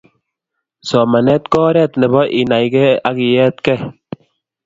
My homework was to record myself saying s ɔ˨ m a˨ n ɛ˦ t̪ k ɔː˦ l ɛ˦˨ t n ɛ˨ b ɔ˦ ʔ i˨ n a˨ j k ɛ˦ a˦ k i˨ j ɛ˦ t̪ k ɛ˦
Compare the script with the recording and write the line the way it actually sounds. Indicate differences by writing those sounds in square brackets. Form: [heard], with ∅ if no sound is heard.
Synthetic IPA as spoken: s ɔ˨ m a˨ n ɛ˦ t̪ k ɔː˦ [ɾ] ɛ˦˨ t n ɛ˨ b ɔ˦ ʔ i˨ n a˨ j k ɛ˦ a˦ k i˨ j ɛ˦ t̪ k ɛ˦